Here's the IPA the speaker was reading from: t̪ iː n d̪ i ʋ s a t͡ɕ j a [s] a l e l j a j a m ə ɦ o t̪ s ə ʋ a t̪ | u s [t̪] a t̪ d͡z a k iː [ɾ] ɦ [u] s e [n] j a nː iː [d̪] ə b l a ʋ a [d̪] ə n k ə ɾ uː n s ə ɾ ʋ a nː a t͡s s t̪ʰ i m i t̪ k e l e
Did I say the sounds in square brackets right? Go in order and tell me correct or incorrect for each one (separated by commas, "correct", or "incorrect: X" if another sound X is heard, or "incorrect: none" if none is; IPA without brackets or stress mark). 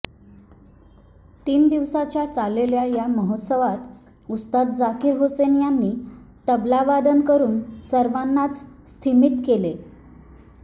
incorrect: t͡s, correct, correct, incorrect: o, correct, incorrect: t̪, correct